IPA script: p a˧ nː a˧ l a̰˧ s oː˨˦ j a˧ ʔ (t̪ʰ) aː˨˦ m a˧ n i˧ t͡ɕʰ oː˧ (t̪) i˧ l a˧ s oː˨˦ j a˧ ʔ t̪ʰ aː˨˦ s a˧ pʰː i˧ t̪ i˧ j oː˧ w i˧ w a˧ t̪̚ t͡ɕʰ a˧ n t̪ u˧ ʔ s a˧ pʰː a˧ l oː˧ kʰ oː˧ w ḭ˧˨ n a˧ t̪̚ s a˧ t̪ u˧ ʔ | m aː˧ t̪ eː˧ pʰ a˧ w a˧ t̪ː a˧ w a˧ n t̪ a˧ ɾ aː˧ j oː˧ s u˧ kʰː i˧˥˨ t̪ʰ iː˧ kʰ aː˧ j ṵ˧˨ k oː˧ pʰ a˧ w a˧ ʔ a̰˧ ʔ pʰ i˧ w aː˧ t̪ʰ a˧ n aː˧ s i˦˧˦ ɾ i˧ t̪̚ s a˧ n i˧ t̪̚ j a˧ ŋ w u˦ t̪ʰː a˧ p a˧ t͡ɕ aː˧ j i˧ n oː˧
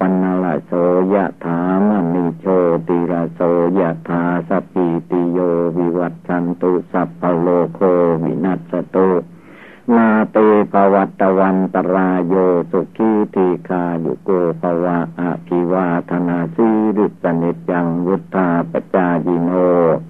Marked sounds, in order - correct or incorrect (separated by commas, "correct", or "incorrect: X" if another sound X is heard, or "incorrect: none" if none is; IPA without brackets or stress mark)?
correct, correct